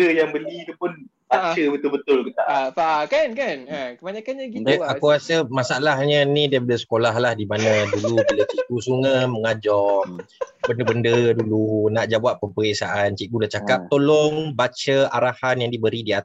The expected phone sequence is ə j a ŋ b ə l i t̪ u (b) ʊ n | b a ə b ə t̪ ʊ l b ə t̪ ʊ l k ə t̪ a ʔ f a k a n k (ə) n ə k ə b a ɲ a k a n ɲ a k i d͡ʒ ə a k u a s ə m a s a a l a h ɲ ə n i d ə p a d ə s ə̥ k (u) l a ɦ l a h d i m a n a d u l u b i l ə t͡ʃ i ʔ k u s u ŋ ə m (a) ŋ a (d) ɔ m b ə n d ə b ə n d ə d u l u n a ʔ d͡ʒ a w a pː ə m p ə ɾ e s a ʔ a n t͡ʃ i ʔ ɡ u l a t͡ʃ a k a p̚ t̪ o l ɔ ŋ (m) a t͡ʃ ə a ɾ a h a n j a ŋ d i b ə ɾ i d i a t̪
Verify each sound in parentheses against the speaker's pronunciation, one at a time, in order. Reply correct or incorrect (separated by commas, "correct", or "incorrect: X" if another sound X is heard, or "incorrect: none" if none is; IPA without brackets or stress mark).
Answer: incorrect: p, incorrect: a, incorrect: o, incorrect: ə, incorrect: d͡ʒ, incorrect: b